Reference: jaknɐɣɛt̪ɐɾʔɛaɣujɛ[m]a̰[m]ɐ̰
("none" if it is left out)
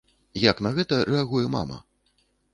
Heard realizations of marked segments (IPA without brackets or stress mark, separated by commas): m, m